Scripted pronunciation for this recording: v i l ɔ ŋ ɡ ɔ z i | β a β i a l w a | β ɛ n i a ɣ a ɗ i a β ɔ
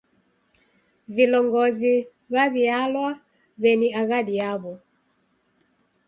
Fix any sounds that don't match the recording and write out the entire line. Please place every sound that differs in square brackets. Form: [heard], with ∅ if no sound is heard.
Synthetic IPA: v i l ɔ ŋ ɡ ɔ z i | β a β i a l w a | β ɛ n i a ɣ a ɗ i a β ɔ